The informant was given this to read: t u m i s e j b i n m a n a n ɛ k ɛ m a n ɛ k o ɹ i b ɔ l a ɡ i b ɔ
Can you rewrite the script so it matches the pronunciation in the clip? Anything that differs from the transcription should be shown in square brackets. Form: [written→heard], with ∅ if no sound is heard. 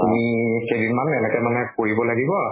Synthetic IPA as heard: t u m i [s→x] e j [b→d] i n m a n [a→ɛ] n ɛ k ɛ m a n ɛ k o ɹ i b ɔ l a ɡ i b ɔ